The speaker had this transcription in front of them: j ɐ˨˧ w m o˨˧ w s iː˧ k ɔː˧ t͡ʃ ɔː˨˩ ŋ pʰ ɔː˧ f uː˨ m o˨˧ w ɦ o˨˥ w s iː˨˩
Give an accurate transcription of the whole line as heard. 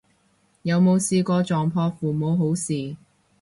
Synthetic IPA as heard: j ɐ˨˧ w m o˨˧ w s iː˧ k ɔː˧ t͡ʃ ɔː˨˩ ŋ pʰ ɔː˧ f uː˨ m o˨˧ w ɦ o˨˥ w s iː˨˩